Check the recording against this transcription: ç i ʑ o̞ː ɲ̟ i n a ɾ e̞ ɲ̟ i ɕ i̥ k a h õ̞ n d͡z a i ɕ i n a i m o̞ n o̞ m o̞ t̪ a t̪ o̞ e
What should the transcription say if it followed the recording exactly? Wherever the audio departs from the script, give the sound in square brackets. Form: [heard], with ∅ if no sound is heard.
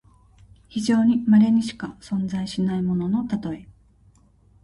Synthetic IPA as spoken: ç i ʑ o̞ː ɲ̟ i [m] a ɾ e̞ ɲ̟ i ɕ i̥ k a [s] õ̞ n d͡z a i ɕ i n a i m o̞ n o̞ [n] o̞ t̪ a t̪ o̞ e